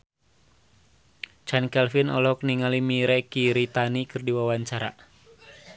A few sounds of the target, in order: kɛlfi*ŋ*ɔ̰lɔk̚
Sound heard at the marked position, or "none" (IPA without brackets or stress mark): n